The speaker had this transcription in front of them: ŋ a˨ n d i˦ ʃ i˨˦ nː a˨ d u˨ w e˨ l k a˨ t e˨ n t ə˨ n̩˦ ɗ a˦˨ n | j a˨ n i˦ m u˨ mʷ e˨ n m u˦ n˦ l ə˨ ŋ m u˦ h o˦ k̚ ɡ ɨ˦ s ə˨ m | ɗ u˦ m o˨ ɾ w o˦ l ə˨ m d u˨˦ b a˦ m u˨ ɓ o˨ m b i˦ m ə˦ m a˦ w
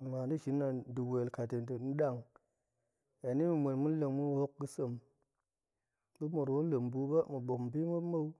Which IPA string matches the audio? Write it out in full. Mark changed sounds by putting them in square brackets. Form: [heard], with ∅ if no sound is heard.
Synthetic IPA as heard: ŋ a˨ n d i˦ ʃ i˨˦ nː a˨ d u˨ w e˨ l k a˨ t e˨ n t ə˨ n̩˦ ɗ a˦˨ [ŋ] | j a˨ n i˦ m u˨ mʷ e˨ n m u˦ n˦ l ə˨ ŋ m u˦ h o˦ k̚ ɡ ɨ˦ s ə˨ m | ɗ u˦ m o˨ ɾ w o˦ l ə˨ m [b] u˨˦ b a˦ m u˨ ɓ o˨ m b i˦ m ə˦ m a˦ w